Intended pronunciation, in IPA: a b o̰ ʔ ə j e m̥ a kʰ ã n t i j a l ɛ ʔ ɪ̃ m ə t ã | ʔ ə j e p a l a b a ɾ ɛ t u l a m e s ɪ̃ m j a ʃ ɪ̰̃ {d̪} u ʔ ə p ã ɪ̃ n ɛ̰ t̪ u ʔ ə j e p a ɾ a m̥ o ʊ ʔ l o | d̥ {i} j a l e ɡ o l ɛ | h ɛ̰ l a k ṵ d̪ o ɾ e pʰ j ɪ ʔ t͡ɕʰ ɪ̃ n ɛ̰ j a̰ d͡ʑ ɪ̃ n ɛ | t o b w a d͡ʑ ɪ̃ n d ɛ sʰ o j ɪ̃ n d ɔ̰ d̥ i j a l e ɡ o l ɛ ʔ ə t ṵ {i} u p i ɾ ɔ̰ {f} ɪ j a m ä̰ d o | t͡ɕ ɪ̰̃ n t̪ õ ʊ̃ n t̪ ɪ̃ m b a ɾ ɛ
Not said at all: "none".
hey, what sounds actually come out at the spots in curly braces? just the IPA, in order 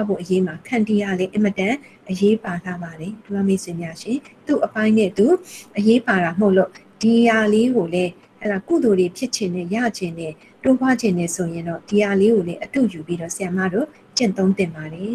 t̪, i, j, s

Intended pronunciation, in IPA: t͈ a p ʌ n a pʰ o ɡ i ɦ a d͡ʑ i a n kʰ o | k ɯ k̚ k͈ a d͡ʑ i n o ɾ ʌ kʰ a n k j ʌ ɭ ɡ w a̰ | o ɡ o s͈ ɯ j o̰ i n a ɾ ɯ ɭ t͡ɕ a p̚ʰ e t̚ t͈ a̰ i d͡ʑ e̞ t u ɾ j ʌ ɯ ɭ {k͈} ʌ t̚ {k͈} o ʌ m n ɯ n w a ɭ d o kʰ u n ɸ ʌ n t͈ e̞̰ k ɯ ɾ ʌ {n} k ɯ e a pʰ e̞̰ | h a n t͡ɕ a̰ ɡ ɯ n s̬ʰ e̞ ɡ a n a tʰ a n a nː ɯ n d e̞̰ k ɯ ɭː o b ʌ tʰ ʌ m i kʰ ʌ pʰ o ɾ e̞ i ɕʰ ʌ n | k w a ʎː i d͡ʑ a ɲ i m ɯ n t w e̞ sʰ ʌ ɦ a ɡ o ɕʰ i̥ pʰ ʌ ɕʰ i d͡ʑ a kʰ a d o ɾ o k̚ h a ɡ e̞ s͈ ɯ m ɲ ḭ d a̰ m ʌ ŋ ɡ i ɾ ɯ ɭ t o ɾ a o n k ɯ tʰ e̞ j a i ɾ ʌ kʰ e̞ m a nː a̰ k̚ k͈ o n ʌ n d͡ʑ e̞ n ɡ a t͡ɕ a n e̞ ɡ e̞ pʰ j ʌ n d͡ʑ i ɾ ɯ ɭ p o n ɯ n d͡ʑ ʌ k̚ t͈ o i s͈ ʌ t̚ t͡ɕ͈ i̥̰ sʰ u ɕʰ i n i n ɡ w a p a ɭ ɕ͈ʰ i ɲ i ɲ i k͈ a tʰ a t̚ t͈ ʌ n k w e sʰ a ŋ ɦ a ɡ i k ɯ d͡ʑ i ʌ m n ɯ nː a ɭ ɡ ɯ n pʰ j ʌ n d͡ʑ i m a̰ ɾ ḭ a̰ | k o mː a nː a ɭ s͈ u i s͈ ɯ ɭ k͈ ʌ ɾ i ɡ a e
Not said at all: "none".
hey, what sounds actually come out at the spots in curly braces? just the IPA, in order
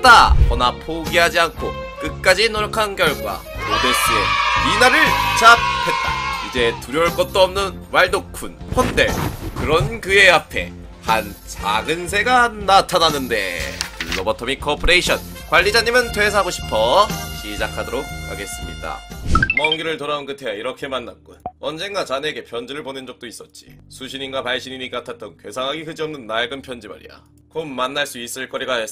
k͈, t͈, n

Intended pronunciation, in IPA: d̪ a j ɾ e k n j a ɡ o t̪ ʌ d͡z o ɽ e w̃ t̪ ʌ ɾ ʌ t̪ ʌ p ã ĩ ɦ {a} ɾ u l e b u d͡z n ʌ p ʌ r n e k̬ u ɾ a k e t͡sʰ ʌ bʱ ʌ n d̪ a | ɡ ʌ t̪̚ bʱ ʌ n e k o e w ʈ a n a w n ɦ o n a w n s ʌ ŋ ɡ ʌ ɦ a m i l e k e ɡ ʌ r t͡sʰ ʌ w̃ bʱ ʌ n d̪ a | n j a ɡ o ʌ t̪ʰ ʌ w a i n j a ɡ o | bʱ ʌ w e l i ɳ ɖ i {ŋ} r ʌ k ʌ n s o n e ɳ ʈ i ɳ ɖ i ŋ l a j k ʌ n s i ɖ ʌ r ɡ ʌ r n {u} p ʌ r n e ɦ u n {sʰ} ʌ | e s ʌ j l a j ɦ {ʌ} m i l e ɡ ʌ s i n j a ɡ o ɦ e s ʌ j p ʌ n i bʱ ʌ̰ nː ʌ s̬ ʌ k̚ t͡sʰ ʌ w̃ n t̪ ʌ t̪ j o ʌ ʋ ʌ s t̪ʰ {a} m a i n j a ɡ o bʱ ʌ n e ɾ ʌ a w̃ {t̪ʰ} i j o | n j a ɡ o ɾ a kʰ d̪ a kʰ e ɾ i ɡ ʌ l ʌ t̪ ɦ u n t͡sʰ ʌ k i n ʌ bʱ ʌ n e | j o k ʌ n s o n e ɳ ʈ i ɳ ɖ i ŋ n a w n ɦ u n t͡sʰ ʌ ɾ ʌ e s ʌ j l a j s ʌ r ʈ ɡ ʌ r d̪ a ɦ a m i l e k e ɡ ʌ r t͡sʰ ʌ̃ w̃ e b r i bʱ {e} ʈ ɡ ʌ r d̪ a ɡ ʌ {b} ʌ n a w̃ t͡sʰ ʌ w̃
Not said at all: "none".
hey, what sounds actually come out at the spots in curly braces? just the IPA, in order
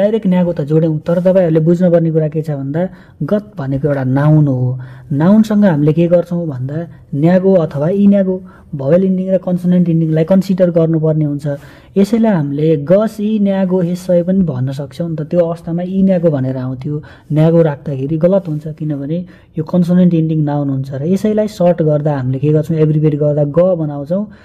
ʌ, ŋ, u, t͡sʰ, a, a, t̪ʰ, e, b

